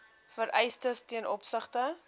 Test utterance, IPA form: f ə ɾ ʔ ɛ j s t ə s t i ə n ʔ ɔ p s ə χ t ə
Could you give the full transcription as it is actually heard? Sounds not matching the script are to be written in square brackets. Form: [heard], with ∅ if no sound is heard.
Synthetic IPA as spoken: f ə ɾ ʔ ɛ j s t ə s t i ə n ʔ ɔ p s ə χ t ə